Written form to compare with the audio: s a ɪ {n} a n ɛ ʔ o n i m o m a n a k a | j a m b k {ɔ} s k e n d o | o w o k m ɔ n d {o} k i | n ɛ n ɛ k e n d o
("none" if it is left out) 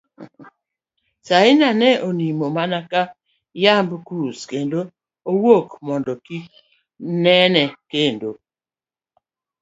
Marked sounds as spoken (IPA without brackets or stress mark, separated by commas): n, u, ɔ